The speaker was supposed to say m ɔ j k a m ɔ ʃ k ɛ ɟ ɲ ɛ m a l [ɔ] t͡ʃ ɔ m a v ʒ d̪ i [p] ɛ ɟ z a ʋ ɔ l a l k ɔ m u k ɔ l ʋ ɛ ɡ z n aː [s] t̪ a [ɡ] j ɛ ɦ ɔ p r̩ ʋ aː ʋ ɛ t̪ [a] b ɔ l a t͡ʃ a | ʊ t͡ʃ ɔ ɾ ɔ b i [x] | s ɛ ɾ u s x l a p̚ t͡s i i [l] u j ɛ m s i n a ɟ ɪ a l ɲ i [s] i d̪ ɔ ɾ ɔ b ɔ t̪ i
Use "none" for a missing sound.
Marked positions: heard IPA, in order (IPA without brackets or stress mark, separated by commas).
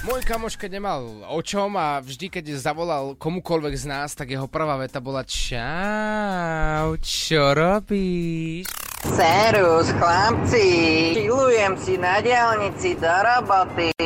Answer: ɔ, k, s, ɡ, a, ʃ, l, t͡s